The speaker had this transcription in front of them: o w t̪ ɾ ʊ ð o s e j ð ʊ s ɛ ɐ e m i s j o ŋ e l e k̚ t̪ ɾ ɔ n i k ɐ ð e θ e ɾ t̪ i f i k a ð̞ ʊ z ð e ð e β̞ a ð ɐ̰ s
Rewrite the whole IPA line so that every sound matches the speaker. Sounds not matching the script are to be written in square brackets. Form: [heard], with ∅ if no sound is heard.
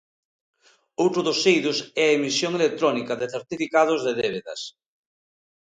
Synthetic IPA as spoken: o w t̪ ɾ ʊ ð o s e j ð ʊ s ɛ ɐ e m i s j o ŋ e l e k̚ t̪ ɾ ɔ n i k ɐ ð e θ e ɾ t̪ i f i k a ð̞ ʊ z ð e ð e β̞ [e] ð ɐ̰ s